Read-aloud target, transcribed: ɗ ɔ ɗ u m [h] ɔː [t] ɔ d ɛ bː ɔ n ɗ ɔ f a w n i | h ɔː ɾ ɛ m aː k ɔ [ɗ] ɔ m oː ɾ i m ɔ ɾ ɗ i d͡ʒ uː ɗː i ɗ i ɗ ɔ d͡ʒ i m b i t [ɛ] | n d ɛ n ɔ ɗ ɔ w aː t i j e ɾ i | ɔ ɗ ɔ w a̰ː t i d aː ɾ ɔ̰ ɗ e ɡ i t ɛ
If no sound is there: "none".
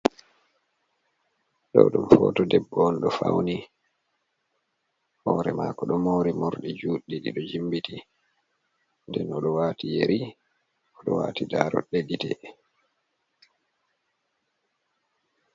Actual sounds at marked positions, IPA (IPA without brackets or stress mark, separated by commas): f, t, ɗ, i